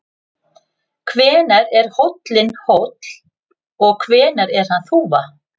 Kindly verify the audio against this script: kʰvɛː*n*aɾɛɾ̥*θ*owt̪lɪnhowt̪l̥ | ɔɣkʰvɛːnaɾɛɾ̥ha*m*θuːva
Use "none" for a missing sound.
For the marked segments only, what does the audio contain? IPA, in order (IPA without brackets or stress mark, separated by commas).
n, h, n